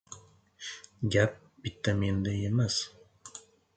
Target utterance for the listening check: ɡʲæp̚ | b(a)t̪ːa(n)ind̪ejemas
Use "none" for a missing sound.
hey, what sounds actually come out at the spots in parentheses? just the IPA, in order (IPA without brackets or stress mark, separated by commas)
i, m